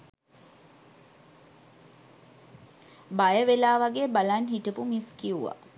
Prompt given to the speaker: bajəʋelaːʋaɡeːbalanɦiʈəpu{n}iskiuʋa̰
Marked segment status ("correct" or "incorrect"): incorrect